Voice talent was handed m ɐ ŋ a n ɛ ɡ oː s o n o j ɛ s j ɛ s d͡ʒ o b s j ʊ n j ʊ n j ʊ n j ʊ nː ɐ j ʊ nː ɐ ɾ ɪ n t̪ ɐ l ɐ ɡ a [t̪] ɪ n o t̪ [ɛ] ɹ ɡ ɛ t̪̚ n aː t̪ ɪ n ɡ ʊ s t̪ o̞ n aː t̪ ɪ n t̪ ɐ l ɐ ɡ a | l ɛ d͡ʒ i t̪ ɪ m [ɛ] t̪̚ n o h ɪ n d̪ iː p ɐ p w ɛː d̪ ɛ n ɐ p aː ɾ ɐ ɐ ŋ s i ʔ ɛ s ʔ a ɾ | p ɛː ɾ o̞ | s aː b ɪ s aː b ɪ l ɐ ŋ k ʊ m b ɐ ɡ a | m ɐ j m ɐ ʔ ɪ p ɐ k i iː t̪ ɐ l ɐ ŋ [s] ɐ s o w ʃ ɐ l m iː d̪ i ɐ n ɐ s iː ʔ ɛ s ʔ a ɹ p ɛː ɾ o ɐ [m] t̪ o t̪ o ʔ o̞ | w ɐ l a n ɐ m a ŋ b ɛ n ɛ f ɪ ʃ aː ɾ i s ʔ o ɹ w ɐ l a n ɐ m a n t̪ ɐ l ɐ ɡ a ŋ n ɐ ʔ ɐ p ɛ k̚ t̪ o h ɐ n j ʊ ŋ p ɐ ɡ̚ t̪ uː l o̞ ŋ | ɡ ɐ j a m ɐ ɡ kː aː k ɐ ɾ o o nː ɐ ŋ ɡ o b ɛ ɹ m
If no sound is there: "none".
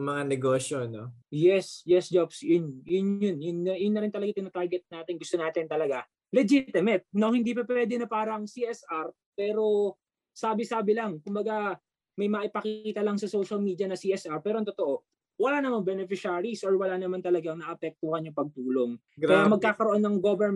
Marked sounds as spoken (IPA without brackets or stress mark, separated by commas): t̪, a, ɛ, s, ŋ